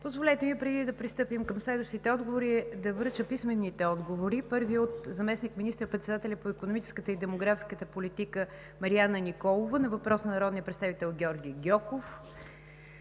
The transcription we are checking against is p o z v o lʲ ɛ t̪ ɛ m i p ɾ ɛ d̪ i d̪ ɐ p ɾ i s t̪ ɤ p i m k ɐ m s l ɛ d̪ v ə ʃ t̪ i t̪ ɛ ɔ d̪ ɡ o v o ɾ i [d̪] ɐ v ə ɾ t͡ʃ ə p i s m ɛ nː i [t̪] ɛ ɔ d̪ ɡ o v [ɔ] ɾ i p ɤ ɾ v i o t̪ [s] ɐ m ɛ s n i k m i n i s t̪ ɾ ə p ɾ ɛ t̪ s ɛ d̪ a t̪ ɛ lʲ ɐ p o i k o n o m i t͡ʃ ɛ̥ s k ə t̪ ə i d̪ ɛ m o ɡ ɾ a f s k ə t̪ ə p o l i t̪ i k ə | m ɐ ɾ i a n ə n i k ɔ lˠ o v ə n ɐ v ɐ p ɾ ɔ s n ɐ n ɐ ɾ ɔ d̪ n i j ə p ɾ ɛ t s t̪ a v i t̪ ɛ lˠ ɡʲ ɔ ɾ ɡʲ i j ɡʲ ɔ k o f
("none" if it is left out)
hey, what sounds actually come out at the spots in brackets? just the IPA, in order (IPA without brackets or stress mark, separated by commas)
d̪, t̪, o, z